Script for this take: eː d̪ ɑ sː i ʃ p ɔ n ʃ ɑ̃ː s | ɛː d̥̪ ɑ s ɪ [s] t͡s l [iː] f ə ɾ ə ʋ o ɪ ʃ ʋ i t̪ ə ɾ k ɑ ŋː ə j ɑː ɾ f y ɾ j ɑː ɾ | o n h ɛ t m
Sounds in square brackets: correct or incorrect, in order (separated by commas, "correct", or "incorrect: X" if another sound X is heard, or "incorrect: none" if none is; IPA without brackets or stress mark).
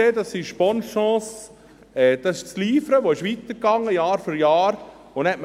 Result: incorrect: ʃ, correct